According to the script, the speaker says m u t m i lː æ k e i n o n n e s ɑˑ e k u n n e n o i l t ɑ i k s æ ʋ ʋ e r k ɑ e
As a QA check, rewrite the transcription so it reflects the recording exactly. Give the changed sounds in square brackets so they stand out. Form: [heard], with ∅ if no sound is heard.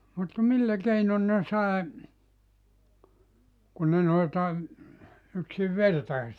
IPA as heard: m u t m i lː æ k e i n o n n e s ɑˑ e k u n n e n o i l t ɑ [y] k s [i] ʋ ʋ e r [t] ɑ e